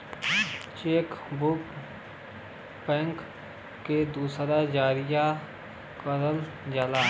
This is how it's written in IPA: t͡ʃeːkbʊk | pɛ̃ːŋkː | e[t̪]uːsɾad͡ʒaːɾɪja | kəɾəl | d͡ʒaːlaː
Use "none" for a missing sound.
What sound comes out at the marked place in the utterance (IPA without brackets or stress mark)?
d̪